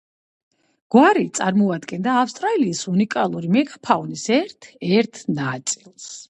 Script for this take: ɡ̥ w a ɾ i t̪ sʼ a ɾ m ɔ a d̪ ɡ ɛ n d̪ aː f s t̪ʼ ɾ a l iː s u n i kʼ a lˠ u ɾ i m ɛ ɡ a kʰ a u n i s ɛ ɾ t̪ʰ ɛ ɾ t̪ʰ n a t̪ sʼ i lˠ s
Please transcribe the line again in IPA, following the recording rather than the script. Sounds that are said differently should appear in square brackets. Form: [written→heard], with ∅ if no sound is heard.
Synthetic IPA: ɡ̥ w a ɾ i t̪ sʼ a ɾ m ɔ a d̪ ɡ ɛ n d̪ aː f s t̪ʼ ɾ a l iː s u n i kʼ a lˠ u ɾ i m ɛ ɡ a [kʰ→pʰ] a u n i s ɛ ɾ t̪ʰ ɛ ɾ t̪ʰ n a t̪ sʼ i lˠ s